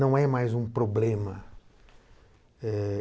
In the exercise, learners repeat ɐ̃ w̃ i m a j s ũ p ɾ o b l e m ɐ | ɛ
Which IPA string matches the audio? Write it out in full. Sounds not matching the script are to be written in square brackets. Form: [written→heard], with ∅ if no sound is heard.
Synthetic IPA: ɐ̃ w̃ [i→ɛ] m a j [s→z] ũ p ɾ o b l [e→ẽ] m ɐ | ɛ